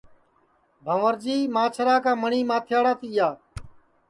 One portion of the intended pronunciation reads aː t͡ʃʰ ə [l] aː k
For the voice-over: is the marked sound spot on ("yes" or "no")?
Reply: no